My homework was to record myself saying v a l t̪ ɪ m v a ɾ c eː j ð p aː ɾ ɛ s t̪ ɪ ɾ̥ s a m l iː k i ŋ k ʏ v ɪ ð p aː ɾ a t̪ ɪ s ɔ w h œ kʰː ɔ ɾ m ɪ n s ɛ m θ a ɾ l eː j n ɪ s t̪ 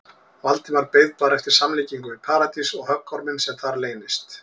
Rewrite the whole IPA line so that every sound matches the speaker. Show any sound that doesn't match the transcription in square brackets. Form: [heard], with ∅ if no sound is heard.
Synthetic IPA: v a l t̪ ɪ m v a ɾ [p] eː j ð p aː ɾ ɛ [f] t̪ ɪ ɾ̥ s a m l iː [c] i ŋ k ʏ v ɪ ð [pʰ] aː ɾ a t̪ [i] s ɔ [ɣ] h œ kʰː ɔ ɾ m ɪ n s ɛ m θ a ɾ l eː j n ɪ s t̪